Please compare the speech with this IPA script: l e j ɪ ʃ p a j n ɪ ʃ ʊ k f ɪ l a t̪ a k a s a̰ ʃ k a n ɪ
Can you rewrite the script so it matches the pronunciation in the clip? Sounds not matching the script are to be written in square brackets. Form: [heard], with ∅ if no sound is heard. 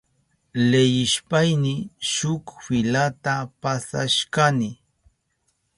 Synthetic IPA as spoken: l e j ɪ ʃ p a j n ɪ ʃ ʊ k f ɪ l a t̪ a [p] a s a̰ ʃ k a n ɪ